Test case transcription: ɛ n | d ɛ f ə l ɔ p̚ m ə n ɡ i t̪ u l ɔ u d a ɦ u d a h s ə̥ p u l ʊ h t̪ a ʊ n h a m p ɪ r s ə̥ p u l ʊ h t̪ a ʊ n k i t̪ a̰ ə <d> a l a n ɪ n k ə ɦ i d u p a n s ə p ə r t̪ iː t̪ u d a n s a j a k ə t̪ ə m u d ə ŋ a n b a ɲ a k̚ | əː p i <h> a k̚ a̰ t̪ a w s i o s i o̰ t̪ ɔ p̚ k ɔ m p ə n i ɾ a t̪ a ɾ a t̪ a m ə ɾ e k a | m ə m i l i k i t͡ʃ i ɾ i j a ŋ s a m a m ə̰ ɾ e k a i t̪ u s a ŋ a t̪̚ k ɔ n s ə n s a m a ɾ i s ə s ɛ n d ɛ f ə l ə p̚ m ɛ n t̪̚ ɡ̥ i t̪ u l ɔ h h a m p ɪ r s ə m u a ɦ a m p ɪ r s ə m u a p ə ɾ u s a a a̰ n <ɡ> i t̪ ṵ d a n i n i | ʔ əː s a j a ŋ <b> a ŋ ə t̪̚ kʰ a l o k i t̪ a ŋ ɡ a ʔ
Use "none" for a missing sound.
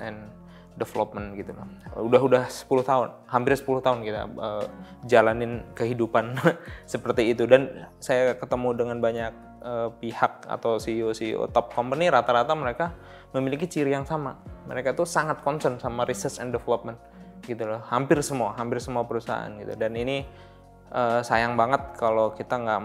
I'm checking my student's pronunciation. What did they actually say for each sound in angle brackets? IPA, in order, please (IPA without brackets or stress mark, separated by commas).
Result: d͡ʒ, h, ɡ, b